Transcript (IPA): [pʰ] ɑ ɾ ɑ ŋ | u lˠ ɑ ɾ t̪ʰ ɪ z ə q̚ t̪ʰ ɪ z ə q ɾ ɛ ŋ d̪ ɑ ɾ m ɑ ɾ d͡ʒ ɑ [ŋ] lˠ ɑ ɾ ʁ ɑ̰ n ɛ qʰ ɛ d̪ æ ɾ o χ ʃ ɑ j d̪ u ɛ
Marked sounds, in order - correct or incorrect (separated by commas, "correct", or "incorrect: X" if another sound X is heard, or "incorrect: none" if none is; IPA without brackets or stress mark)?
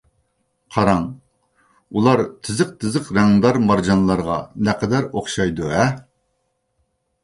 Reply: incorrect: qʰ, incorrect: n